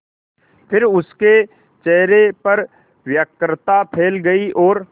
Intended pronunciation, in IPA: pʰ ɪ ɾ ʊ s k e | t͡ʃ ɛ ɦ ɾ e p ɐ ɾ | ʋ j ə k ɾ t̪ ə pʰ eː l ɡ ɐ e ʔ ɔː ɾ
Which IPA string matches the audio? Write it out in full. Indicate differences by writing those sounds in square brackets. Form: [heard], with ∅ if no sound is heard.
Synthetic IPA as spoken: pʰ ɪ ɾ ʊ s k e | t͡ʃ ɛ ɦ ɾ e p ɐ ɾ | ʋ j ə k ɾ t̪ [a] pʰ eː l ɡ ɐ [i] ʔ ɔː ɾ